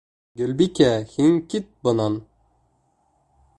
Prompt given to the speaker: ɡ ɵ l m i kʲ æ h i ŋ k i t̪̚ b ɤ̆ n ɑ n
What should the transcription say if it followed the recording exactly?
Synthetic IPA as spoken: ɡ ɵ l b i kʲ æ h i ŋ k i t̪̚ b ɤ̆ n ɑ n